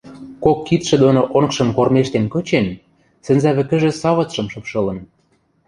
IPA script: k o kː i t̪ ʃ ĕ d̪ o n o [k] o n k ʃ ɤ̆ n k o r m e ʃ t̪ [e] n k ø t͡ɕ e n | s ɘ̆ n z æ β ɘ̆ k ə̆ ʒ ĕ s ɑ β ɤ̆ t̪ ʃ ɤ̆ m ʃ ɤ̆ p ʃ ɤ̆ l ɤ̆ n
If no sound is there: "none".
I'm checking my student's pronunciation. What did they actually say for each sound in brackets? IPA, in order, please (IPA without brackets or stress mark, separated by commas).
ʔ, e